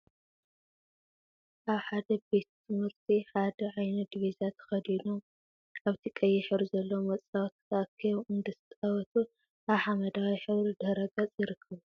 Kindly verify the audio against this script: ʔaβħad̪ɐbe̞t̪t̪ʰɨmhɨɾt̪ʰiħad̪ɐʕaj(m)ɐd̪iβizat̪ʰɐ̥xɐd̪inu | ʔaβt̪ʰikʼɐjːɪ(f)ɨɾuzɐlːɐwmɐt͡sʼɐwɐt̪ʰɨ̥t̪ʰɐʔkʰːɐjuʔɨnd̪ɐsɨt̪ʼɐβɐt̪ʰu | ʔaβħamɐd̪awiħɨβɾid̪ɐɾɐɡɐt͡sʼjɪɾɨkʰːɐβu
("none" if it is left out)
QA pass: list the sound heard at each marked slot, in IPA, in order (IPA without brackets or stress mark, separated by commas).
n, ħ